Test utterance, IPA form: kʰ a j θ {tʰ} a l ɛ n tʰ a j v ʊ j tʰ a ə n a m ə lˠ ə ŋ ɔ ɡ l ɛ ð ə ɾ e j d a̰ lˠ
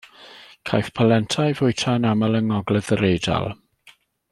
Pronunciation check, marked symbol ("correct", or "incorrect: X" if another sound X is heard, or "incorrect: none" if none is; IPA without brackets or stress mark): incorrect: pʰ